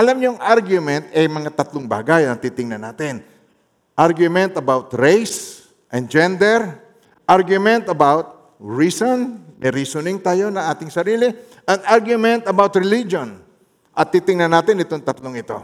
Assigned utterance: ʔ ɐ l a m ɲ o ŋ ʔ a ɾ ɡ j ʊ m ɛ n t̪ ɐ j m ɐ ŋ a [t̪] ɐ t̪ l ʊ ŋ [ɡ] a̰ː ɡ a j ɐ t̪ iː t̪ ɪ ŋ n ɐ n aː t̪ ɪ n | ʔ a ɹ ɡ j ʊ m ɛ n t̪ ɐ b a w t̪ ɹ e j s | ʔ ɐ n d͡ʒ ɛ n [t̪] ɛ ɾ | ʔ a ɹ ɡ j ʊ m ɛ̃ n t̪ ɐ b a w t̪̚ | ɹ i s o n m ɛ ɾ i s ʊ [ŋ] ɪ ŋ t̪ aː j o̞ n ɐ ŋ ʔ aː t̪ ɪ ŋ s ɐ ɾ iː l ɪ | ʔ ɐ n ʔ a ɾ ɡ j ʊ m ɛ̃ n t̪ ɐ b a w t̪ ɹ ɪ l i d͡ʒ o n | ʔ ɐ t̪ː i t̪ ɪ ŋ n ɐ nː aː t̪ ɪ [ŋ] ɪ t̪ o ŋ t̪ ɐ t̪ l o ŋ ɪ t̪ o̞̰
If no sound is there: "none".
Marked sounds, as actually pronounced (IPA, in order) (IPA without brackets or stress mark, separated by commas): t̪, b, d̪, n, n